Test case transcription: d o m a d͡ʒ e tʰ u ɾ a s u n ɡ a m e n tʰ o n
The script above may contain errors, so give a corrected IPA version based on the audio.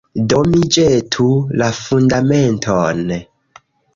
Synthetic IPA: d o m i d͡ʒ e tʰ u l a f u n d a m e n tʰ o n